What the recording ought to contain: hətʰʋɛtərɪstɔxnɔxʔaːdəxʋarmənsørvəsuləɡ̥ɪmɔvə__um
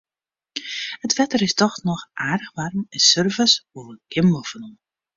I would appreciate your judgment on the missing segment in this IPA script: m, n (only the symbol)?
n